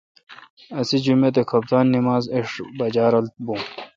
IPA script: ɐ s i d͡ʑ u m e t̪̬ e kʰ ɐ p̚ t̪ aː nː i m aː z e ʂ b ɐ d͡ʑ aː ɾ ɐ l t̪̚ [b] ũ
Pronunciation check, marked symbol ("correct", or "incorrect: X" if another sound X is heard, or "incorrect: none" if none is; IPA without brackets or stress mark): correct